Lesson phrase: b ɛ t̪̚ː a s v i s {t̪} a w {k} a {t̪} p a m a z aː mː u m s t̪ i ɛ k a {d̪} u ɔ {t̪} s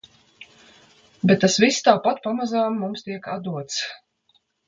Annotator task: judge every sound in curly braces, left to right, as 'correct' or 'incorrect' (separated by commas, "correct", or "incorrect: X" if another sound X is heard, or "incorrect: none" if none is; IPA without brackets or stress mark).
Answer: correct, incorrect: p, correct, correct, correct